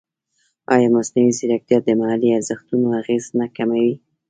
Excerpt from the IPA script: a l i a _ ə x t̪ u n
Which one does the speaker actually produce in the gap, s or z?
z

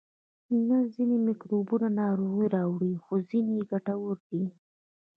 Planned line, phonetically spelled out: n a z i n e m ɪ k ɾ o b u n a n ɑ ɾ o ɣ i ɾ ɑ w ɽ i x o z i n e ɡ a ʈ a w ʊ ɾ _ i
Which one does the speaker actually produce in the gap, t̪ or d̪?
d̪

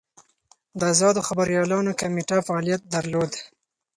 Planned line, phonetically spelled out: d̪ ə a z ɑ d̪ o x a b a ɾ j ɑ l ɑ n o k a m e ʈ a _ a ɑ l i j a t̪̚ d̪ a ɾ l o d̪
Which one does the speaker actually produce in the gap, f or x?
f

